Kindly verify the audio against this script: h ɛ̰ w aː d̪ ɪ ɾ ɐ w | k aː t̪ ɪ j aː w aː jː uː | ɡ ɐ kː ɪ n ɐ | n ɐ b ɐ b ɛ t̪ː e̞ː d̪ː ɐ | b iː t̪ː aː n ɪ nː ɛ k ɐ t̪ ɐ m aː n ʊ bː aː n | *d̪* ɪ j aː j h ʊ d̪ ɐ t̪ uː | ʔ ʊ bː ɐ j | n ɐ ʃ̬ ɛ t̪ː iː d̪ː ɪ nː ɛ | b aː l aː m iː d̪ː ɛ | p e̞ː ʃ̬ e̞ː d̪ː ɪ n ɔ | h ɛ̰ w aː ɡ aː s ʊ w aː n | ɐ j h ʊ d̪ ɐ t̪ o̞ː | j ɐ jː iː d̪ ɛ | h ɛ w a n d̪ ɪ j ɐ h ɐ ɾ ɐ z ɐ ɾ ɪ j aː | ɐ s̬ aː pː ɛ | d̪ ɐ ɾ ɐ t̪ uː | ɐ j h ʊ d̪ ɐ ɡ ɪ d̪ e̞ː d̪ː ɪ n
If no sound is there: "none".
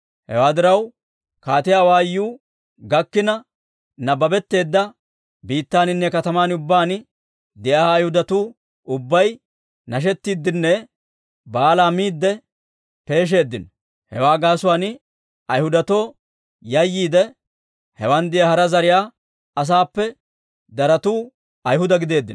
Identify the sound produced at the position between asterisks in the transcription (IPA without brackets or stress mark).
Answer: d̪